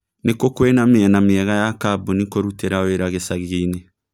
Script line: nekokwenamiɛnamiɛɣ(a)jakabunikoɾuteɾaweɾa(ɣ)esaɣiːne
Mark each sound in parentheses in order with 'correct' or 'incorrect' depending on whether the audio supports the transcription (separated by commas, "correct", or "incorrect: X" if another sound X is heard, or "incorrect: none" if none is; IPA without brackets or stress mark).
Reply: correct, correct